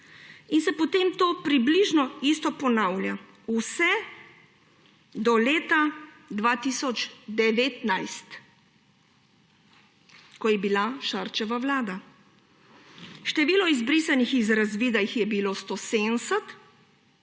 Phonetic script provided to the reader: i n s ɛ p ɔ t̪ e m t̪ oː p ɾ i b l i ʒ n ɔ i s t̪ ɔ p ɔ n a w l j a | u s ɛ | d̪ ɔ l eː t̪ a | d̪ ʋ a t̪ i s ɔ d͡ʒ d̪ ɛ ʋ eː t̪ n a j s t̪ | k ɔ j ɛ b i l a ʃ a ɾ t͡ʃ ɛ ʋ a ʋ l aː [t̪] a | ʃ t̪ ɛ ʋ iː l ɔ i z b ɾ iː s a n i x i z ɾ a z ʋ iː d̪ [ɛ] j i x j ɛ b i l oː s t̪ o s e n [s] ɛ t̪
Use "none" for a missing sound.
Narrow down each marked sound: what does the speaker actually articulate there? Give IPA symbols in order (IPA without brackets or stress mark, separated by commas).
d̪, a, s